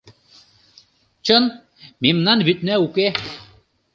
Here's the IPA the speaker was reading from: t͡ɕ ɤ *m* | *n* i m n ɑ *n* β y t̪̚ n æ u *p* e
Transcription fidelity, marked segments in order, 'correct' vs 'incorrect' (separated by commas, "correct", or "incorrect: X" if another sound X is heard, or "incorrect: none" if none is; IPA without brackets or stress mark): incorrect: n, incorrect: m, correct, incorrect: k